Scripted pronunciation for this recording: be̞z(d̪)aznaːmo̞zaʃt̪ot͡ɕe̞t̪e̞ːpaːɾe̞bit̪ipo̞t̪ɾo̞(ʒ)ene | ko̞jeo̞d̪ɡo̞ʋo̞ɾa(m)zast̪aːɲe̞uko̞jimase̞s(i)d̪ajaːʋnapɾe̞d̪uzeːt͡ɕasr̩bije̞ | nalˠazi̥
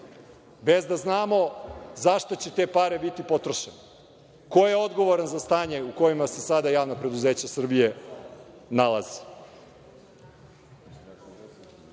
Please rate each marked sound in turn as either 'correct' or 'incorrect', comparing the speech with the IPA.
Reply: correct, incorrect: ʃ, incorrect: n, incorrect: a

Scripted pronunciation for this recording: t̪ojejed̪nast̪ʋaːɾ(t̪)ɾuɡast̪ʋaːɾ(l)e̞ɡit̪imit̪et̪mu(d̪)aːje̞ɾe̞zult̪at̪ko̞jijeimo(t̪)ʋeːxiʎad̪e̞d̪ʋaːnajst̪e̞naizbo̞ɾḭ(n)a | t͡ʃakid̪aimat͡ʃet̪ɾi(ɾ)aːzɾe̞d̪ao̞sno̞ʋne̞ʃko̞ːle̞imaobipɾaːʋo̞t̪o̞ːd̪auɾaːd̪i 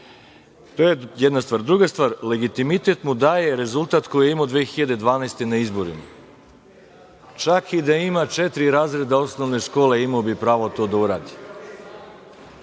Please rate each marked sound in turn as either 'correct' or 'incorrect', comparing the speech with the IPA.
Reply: incorrect: d̪, correct, correct, incorrect: d̪, incorrect: m, correct

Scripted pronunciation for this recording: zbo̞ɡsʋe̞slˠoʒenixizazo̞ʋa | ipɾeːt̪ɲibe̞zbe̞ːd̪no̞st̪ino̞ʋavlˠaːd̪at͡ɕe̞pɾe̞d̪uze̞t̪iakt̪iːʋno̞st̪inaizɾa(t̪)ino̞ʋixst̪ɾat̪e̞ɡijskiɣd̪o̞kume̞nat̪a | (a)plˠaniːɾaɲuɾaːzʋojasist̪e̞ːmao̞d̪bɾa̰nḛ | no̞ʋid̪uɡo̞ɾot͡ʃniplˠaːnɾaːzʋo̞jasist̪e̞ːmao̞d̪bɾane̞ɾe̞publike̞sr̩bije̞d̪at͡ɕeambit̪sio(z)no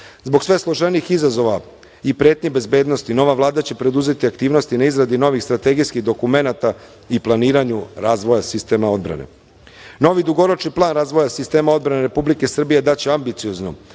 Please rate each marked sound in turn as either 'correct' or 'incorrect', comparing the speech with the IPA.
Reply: incorrect: d̪, incorrect: i, correct

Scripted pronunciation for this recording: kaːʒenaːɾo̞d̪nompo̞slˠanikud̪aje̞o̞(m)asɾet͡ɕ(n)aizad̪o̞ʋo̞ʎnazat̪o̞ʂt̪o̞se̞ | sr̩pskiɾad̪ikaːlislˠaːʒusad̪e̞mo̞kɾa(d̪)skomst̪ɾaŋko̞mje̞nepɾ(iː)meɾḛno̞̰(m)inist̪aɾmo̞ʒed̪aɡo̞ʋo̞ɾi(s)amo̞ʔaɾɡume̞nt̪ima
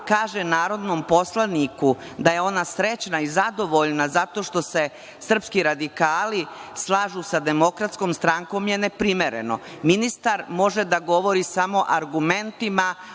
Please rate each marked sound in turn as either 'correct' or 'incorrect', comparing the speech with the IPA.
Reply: incorrect: n, correct, incorrect: t̪, incorrect: i, correct, correct

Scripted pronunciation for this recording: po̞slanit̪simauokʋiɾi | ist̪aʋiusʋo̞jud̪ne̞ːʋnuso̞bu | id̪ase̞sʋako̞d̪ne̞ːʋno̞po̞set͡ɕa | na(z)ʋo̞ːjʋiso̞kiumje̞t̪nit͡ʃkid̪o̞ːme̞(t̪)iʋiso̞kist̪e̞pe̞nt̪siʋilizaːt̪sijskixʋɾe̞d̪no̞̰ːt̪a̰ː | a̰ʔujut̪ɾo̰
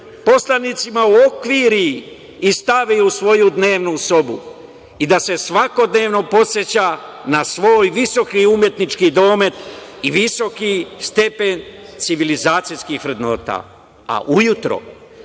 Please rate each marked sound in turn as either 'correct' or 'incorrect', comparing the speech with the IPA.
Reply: incorrect: s, correct

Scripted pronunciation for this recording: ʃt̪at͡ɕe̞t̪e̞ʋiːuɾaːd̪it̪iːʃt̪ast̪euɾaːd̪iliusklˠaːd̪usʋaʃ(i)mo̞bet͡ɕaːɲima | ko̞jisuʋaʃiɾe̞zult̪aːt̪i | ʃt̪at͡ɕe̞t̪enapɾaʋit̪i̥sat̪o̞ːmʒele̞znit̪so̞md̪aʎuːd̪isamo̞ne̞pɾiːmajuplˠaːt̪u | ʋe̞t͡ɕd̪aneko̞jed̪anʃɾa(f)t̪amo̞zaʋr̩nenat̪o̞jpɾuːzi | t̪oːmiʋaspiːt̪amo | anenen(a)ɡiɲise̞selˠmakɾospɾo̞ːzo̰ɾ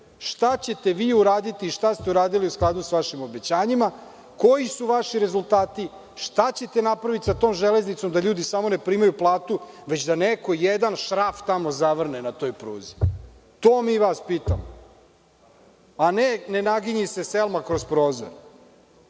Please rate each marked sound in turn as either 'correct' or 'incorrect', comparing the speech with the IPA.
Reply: correct, correct, correct

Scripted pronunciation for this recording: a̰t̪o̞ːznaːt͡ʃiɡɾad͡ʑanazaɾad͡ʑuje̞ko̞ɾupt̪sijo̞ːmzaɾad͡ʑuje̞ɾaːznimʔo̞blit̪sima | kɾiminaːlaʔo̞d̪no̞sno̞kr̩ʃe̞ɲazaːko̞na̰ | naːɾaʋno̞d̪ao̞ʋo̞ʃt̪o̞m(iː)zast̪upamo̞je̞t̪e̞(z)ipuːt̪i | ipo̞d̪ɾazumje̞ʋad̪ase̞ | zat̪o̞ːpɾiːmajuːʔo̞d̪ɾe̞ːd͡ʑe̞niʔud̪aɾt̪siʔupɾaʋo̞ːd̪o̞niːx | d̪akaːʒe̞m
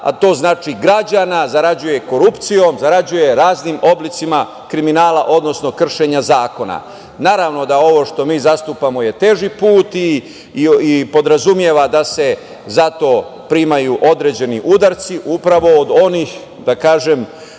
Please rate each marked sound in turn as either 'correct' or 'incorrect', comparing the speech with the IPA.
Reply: correct, incorrect: ʒ

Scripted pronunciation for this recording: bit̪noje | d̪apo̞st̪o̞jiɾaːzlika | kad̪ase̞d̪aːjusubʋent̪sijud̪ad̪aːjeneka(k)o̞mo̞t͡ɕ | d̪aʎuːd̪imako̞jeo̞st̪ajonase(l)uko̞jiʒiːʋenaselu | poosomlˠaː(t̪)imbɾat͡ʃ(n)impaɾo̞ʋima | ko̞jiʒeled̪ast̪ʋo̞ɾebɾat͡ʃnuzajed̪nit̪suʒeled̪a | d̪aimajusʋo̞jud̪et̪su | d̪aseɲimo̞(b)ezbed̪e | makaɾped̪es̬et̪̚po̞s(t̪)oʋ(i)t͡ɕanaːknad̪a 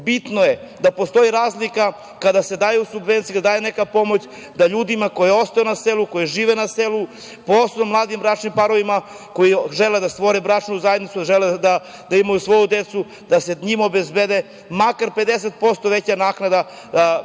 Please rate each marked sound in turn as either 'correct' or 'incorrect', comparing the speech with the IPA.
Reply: incorrect: p, correct, incorrect: d̪, correct, correct, correct, incorrect: e

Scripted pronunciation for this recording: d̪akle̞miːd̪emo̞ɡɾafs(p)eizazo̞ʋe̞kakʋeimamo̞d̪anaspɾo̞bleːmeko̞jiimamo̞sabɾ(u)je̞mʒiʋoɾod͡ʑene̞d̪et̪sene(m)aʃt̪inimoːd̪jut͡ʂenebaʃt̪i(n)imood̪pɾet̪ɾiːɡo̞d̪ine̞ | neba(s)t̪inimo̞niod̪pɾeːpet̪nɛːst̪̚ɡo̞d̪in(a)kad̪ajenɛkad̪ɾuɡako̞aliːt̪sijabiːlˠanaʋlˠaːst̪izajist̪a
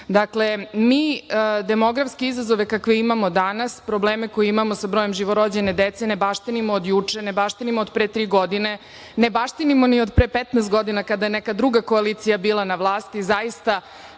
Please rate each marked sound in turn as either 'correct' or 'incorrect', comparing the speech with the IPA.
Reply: incorrect: k, incorrect: o, incorrect: b, correct, incorrect: ʃ, correct

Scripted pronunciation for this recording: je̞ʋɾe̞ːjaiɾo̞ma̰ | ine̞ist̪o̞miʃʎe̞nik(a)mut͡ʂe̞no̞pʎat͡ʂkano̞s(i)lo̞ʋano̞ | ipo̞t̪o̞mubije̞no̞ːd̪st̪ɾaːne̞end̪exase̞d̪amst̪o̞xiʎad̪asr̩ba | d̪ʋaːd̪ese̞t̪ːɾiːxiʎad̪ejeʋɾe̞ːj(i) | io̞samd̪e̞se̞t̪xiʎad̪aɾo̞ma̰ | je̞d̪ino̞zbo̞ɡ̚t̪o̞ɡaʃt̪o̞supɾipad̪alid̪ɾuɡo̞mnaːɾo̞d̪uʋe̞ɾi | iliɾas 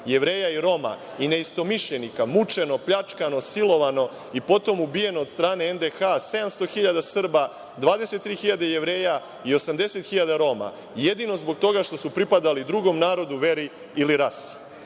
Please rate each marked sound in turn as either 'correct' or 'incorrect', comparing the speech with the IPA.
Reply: correct, correct, incorrect: a

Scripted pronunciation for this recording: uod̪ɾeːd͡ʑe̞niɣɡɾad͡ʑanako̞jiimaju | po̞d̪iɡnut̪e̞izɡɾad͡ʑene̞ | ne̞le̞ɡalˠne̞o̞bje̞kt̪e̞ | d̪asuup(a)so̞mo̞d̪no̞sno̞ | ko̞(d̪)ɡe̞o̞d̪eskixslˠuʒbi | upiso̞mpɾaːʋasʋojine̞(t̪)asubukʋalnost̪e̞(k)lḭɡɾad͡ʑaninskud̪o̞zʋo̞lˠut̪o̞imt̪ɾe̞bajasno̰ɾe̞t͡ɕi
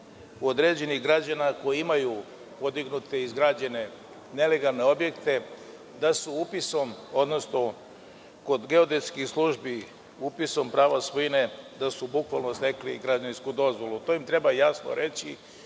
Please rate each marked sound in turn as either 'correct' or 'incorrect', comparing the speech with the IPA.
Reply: incorrect: i, correct, incorrect: d̪, correct

